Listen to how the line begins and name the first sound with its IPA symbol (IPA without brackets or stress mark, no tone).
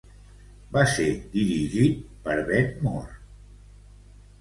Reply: b